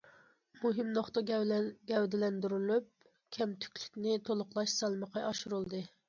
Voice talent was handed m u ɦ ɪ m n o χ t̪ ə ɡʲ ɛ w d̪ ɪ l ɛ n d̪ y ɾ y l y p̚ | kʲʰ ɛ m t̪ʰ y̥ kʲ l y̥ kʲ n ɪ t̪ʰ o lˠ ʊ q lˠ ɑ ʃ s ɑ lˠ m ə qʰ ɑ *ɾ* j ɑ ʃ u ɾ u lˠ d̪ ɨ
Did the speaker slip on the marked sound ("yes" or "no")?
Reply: yes